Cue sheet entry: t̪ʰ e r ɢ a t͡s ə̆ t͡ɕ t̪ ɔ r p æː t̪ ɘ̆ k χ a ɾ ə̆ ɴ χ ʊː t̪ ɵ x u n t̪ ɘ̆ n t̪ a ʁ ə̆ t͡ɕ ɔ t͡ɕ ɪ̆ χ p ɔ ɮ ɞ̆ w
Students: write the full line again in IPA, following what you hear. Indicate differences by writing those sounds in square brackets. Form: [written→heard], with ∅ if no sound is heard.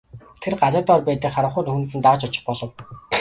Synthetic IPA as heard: t̪ʰ e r ɢ a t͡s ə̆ [t͡ɕ→∅] t̪ ɔ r p æː t̪ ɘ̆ k χ a ɾ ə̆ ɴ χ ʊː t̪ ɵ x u n t̪ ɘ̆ n t̪ a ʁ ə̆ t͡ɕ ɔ t͡ɕ ɪ̆ χ p ɔ ɮ ɞ̆ w